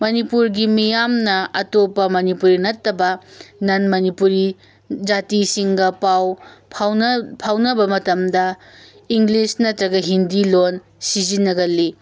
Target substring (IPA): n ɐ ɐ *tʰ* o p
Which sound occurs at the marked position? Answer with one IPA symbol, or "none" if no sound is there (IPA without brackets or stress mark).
t